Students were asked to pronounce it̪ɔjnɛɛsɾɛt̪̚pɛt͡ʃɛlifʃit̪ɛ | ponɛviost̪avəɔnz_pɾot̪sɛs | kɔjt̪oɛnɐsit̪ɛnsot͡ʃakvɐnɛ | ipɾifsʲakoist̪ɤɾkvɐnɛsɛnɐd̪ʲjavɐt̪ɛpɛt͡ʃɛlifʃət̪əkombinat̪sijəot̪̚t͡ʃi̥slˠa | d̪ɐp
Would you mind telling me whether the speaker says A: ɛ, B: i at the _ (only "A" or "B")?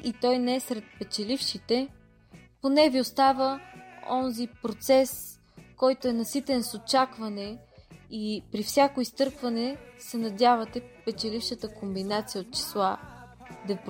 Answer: B